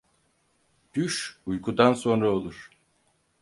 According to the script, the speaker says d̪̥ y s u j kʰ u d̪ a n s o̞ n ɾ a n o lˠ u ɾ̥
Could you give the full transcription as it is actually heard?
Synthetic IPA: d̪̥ y ʃ u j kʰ u d̪ a n s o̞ n ɾ a o lˠ u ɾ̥